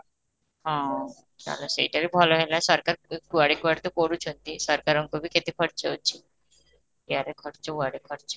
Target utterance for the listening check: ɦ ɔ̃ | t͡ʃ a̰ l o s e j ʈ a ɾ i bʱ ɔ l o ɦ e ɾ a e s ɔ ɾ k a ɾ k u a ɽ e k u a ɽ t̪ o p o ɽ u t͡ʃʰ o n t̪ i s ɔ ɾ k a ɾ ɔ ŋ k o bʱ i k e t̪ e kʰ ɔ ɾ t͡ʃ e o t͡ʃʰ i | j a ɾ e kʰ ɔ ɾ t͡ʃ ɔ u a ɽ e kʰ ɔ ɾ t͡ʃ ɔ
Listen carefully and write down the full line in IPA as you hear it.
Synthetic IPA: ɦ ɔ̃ | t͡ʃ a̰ l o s e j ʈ a ɾ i bʱ ɔ l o ɦ e l a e s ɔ ɾ k a ɾ k u a ɽ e k u a ɽ t̪ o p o ɽ u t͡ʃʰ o n t̪ i s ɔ ɾ k a ɾ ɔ ŋ k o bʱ i k e t̪ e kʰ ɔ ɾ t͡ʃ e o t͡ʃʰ i | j a ɾ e kʰ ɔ ɾ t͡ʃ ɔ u a ɽ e kʰ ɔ ɾ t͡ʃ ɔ